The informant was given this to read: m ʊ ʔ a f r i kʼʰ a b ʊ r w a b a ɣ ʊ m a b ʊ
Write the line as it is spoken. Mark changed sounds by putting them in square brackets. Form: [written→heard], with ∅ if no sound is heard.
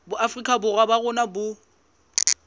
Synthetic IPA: [m→b] ʊ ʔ a f r i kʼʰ a b ʊ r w a b a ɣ ʊ [m→n] a b ʊ